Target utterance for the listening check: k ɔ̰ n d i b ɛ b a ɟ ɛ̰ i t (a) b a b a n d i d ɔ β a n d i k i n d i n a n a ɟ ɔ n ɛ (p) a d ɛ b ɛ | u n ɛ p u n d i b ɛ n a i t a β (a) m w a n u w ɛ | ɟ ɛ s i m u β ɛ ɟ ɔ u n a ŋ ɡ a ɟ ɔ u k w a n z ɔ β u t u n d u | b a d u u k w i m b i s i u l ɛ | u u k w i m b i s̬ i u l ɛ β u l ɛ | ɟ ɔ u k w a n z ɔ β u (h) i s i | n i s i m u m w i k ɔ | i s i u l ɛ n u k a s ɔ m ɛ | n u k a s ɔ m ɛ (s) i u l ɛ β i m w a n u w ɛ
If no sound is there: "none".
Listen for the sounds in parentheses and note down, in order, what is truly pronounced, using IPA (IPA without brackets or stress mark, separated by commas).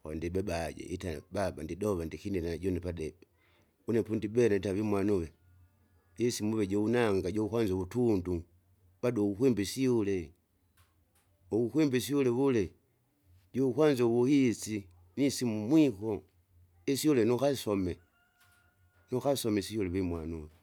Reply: a, p, i, h, s